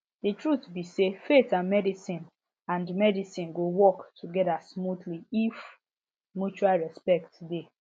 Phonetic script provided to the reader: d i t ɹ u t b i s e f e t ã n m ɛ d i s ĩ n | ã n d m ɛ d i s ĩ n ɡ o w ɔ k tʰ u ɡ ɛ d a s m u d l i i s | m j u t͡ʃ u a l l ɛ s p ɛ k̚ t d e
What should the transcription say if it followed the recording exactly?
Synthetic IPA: d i t ɹ u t b i s e f e t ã n m ɛ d i s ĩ n | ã n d m ɛ d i s ĩ n ɡ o w ɔ k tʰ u ɡ ɛ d a s m u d l i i f | m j u t͡ʃ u a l ɹ ɛ s p ɛ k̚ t d e